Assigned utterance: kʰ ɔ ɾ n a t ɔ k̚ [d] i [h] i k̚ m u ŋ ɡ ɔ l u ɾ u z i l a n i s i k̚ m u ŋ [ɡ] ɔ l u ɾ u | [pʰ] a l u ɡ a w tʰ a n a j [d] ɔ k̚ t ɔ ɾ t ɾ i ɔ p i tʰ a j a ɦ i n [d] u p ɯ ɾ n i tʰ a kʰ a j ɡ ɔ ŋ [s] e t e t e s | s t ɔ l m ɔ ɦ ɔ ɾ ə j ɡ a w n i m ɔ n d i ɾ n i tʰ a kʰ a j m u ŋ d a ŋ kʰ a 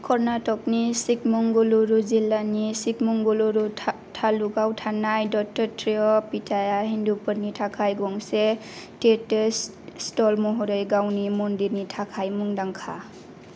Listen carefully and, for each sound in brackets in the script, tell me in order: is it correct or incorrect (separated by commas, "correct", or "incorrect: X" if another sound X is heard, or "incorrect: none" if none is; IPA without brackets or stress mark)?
incorrect: n, incorrect: s, correct, incorrect: tʰ, correct, correct, correct